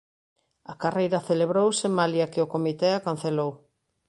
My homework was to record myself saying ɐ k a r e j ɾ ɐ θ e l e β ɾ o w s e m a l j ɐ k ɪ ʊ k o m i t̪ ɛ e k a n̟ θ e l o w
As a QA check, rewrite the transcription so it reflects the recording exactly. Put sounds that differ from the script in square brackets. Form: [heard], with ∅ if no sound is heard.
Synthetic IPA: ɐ k a r e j ɾ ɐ θ e l e β ɾ o w s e m a l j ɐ k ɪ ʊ k o m i t̪ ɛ [a] k a n̟ θ e l o w